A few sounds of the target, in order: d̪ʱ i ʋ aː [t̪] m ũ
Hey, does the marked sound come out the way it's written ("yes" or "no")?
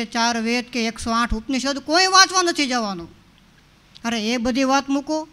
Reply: yes